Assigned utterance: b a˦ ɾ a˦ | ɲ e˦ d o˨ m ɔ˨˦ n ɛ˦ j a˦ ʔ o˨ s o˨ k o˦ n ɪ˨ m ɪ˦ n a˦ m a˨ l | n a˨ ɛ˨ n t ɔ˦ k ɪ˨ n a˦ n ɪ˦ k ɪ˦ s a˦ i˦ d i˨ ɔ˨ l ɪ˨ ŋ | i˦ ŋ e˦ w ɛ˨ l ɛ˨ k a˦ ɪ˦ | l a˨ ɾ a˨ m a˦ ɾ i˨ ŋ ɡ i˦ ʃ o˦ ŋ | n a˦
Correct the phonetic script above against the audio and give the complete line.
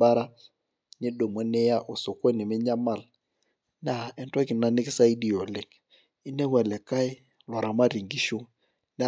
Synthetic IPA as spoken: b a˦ ɾ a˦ | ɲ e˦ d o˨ m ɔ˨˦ n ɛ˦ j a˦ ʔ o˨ s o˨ k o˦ n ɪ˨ m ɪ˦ ɲ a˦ m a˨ l | n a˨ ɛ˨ n t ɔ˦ k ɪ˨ n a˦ n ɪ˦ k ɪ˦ s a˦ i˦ d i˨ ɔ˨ l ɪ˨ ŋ | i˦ n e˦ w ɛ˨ l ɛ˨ k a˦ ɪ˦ | l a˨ ɾ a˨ m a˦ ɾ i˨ ŋ ɡ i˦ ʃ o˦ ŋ | n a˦